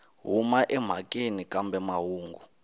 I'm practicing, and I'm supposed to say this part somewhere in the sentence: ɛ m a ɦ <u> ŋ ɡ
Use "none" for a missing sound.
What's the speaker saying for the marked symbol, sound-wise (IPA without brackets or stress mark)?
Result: uː